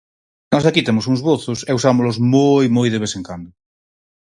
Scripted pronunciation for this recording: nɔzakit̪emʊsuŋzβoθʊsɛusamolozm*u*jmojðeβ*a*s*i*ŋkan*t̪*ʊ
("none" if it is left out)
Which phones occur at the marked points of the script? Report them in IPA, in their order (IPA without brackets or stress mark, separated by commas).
o, e, e, d̪